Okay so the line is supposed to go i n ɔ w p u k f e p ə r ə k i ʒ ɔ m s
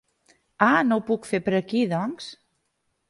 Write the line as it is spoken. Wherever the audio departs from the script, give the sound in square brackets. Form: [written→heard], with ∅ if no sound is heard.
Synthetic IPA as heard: [i→a] n [ɔ→o] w p u k f e p ə [r→ɾ] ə k i [ʒ→ð] ɔ [m→ŋ] s